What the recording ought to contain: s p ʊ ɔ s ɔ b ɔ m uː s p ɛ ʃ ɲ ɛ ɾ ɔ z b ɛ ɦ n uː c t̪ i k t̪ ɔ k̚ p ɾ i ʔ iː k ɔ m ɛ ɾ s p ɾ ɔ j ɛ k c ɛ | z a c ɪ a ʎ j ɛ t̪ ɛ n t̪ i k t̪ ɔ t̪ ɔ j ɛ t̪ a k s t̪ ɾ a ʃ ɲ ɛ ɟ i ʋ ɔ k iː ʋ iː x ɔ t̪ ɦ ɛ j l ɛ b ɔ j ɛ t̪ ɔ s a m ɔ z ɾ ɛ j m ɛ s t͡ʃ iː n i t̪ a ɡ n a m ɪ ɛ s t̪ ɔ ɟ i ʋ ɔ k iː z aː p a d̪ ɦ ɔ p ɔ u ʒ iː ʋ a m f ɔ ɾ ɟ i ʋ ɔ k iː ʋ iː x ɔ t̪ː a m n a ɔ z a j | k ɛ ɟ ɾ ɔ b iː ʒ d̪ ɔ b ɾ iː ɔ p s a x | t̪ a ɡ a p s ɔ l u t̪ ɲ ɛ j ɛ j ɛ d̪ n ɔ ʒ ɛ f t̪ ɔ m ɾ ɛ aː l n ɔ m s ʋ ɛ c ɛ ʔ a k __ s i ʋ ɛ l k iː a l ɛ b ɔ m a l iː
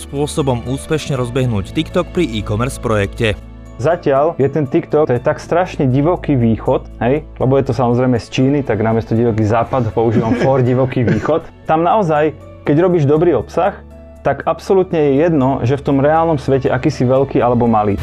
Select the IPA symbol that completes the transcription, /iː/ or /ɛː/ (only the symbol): iː